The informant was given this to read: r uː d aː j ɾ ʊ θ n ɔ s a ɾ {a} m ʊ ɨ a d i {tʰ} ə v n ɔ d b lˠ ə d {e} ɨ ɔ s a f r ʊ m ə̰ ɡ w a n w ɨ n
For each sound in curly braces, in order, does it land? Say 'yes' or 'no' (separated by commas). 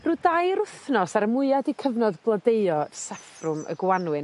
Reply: no, no, yes